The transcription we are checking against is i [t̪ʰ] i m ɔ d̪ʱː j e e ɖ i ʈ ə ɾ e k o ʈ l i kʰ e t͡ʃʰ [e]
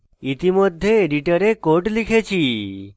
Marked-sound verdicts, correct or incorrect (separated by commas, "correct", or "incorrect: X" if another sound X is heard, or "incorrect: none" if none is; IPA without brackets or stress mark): incorrect: t̪, incorrect: i